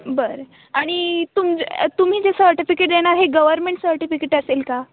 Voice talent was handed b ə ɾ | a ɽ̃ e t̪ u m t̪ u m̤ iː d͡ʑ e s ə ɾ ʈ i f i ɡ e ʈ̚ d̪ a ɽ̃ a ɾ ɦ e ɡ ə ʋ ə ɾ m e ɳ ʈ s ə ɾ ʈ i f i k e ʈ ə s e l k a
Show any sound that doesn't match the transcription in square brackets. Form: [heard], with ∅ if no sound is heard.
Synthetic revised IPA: b ə ɾ | a ɽ̃ [i] t̪ u m t̪ u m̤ iː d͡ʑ e s ə ɾ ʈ i f i [k] e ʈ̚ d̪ [e] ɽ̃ a ɾ ɦ e ɡ ə ʋ ə ɾ m e ɳ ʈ s ə ɾ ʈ i f i k e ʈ ə s e l k a